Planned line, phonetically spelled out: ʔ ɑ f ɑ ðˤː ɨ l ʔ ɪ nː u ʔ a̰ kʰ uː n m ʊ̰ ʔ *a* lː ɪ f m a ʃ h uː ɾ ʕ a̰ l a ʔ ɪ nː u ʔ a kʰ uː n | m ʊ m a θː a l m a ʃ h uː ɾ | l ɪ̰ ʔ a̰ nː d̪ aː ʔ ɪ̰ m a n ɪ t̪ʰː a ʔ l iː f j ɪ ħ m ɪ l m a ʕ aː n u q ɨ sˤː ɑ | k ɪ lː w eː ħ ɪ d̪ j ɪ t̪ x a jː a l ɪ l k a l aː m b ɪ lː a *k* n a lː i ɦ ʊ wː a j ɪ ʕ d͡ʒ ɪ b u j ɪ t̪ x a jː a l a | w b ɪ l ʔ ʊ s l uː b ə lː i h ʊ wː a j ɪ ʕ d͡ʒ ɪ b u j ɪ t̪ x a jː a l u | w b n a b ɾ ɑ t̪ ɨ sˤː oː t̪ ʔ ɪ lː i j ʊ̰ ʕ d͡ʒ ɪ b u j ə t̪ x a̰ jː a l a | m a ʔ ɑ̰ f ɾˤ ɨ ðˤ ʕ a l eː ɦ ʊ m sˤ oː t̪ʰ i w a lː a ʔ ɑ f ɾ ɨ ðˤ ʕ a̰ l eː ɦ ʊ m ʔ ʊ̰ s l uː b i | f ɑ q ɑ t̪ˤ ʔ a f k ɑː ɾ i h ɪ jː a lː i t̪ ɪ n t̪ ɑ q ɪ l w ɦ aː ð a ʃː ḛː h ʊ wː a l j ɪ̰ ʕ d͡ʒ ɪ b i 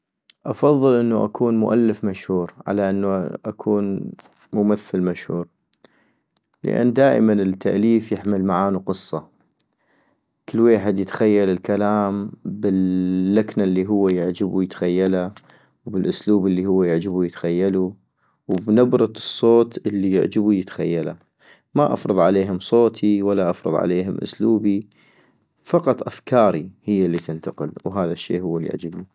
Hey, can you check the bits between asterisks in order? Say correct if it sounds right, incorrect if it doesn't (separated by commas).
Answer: correct, correct